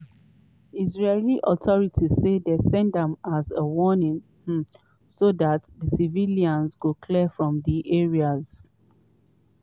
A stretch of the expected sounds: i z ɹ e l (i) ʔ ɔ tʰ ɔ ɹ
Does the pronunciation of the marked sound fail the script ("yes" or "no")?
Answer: no